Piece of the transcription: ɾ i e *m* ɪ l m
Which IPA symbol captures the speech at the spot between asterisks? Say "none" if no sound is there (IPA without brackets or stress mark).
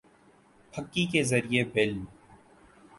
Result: b